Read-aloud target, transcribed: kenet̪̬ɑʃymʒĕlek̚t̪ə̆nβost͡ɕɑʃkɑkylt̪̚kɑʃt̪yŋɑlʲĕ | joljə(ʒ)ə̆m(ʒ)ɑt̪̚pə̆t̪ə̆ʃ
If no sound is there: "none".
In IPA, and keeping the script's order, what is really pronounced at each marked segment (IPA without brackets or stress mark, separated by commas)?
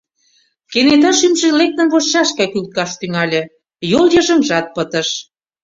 ʒ, ʒ